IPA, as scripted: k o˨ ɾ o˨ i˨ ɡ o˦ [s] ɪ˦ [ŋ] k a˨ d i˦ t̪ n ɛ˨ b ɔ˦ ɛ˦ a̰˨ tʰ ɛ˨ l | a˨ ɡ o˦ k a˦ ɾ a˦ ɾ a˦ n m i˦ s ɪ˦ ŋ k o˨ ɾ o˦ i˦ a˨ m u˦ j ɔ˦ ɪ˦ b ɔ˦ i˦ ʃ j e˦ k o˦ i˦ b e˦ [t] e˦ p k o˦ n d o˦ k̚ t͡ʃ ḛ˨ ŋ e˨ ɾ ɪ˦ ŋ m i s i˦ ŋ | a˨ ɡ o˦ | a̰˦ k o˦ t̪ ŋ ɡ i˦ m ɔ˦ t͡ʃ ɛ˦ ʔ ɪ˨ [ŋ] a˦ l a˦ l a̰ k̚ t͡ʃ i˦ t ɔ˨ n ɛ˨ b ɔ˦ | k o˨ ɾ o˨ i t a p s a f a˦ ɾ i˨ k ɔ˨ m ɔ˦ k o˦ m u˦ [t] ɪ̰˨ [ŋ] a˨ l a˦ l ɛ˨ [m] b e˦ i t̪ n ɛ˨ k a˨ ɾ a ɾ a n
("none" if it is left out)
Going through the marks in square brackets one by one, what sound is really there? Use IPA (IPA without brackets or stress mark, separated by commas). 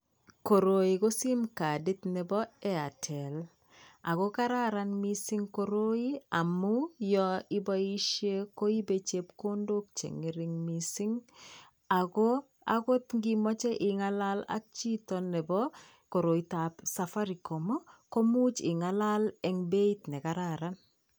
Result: s, m, t͡ʃ, ŋ, t͡ʃ, ŋ, ŋ